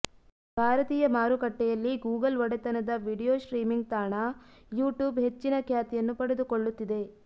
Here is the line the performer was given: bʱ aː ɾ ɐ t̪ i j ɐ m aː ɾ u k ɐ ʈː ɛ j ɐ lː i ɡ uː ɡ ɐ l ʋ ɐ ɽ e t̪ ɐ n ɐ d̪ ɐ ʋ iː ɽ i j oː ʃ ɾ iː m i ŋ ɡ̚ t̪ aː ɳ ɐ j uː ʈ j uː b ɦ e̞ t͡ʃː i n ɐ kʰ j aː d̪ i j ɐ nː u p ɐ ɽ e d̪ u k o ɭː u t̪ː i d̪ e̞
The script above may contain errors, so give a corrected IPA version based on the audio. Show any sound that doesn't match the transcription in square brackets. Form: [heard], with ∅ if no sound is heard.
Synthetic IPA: bʱ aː ɾ ɐ t̪ [iː] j ɐ m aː ɾ u k ɐ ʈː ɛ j ɐ lː i ɡ uː ɡ ɐ l ʋ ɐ ɽ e t̪ ɐ n ɐ d̪ ɐ ʋ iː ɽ i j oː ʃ ɾ iː m i ŋ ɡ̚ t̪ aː ɳ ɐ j uː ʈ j uː b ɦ e̞ t͡ʃː i n ɐ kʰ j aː [t̪] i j ɐ nː u p ɐ ɽ e d̪ u k o ɭː u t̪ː i d̪ e̞